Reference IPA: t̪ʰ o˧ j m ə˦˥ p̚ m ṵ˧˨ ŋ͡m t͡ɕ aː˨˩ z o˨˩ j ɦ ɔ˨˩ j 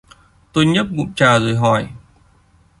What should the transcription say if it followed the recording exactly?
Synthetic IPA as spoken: t̪ o˧ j ɲ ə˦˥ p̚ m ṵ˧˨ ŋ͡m t͡ɕ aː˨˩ z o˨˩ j ɦ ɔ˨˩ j